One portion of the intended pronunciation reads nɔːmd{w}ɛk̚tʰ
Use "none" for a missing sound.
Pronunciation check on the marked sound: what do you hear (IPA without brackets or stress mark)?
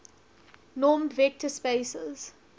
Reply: v